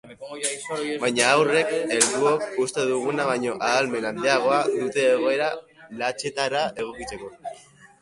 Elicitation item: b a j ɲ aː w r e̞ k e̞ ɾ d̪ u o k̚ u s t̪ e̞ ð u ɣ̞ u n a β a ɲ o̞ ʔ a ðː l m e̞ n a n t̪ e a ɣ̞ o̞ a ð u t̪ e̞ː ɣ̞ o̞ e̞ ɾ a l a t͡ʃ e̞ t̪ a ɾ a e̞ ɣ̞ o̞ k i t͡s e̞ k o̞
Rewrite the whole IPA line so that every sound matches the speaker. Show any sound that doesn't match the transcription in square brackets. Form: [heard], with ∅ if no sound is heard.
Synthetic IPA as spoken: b a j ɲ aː w r e̞ k e̞ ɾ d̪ u o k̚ u s t̪ e̞ ð u ɣ̞ u n a β a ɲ o̞ ʔ a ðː l m e̞ n a n [d̪] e a ɣ̞ o̞ a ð u t̪ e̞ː ɣ̞ o̞ e̞ ɾ a l a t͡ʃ e̞ t̪ a ɾ a e̞ ɣ̞ o̞ k i t͡s e̞ k o̞